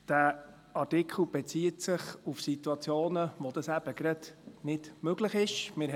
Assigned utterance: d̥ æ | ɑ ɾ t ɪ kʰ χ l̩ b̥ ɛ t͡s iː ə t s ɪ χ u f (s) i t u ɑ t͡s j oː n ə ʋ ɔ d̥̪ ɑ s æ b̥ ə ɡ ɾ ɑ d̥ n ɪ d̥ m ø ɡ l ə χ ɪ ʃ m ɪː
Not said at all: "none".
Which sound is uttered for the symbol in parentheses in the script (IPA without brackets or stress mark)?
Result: s